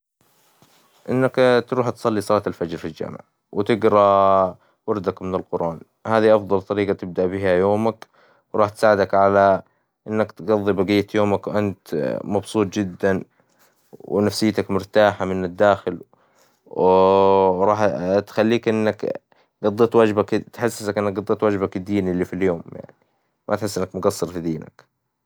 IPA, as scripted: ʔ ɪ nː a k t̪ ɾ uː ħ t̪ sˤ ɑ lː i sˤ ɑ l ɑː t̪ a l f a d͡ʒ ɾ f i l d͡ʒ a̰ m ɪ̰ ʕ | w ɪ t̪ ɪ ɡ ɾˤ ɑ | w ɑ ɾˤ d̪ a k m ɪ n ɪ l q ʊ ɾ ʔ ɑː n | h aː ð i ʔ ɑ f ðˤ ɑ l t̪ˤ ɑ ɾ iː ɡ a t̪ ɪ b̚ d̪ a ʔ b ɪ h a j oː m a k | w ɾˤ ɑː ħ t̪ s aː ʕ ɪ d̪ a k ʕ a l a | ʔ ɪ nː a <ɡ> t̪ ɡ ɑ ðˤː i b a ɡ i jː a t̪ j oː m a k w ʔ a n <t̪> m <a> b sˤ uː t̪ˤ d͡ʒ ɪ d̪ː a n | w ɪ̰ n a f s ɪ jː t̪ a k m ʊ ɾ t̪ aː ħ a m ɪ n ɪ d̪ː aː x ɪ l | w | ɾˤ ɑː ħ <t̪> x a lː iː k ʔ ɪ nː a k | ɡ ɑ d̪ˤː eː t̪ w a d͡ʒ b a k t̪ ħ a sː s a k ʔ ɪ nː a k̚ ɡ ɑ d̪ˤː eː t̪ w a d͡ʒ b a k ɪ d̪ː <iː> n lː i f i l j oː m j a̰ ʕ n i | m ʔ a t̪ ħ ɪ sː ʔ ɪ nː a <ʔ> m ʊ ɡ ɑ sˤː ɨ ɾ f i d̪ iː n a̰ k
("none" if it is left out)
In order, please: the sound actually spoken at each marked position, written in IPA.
k, t̪, ɑ, t̪, iː, k

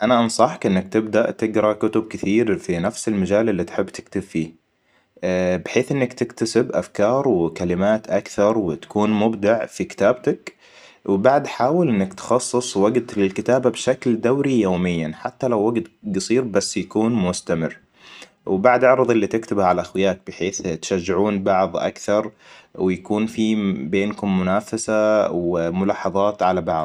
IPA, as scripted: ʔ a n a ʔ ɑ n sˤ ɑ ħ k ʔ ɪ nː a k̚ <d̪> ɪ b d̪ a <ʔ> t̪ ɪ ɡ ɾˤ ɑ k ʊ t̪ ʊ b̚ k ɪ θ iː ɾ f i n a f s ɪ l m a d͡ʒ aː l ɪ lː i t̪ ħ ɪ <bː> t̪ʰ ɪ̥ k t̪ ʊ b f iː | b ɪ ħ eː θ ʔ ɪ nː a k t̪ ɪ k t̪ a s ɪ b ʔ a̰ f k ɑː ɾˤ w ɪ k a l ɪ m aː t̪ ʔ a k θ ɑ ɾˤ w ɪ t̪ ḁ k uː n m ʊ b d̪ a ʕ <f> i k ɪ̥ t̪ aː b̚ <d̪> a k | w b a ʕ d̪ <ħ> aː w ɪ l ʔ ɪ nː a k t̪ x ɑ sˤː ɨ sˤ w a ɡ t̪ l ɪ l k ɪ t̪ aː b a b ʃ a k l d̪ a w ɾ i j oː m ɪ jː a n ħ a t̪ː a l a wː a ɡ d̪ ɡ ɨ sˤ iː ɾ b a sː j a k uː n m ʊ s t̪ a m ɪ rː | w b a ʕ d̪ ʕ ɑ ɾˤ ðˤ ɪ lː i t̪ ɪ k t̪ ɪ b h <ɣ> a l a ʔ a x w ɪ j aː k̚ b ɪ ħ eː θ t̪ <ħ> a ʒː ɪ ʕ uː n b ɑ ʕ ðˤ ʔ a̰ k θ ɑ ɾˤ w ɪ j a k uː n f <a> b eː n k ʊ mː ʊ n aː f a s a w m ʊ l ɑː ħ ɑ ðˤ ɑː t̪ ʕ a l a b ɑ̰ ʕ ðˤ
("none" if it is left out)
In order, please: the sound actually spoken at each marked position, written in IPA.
t̪, ʔ, bː, f, t̪, ħ, ʕ, ʃ, i

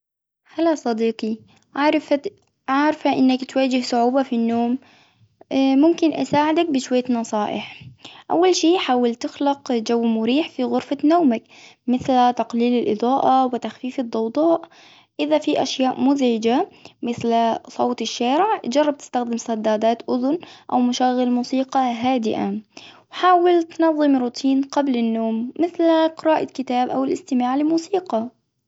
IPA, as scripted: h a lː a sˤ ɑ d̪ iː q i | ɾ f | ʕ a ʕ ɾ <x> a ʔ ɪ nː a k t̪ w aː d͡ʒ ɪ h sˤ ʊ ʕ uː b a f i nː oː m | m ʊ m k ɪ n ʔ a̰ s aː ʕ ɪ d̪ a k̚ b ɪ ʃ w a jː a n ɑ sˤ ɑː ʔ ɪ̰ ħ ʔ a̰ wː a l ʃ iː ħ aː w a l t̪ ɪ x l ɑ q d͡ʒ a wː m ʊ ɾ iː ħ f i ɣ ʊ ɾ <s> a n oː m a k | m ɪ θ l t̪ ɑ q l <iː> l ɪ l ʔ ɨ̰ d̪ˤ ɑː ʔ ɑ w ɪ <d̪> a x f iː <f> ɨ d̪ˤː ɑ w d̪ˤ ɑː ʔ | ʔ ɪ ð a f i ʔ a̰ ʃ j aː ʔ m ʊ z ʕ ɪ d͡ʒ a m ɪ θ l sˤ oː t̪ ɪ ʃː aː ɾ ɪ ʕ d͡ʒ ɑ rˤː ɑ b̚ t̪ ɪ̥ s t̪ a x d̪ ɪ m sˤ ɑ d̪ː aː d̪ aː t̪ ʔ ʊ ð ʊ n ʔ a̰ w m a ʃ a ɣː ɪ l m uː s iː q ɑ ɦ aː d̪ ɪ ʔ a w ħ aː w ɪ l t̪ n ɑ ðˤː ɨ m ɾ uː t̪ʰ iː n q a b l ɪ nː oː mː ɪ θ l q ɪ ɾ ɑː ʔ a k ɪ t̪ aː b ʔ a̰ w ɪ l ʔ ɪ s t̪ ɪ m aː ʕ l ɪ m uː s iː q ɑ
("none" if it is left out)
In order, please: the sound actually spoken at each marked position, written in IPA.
f, f, iː, t̪, f

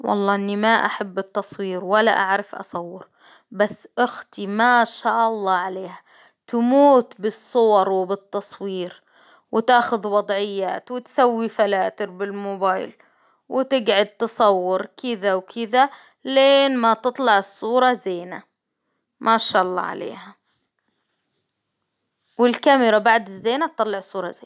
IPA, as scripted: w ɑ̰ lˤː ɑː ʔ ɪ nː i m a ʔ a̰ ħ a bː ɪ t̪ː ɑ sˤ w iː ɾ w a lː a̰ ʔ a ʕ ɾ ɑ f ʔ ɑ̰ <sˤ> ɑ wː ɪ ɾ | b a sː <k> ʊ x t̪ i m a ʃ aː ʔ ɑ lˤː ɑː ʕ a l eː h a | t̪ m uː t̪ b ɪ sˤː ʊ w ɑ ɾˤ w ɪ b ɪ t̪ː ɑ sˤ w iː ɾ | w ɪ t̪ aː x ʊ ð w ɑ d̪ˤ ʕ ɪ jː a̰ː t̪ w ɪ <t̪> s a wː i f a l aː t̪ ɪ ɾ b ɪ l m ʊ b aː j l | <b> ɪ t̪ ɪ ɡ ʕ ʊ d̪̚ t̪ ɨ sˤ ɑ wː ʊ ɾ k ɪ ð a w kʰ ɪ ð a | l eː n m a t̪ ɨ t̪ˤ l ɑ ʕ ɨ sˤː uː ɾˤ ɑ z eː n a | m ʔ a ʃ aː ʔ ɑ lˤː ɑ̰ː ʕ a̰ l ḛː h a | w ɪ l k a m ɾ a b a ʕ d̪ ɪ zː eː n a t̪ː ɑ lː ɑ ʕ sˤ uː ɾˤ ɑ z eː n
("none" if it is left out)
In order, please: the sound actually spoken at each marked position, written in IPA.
sˤ, ʔ, t̪, w

